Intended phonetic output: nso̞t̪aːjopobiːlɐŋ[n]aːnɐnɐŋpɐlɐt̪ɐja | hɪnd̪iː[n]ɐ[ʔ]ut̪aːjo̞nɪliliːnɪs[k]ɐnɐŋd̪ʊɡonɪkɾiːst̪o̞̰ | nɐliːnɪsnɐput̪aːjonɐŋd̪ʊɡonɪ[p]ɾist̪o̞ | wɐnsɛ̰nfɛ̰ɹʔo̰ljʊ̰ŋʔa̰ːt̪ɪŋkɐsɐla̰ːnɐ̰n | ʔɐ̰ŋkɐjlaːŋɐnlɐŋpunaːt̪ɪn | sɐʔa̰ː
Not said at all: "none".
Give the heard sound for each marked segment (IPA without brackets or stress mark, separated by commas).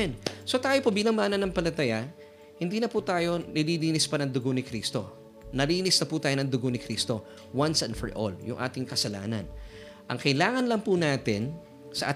m, n, p, p, k